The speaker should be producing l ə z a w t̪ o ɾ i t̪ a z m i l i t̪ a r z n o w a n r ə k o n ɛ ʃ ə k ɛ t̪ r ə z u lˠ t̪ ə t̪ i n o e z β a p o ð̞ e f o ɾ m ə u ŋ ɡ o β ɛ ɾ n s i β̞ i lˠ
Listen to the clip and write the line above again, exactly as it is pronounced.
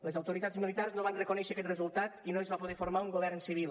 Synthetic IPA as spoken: l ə z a w t̪ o ɾ i t̪ a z m i l i t̪ a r z n o β a n r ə k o n ɛ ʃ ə k ɛ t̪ r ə z u lˠ t̪ a t̪ i n o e z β a p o ð̞ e f o ɾ m a u ŋ ɡ o β ɛ ɾ n s i β̞ i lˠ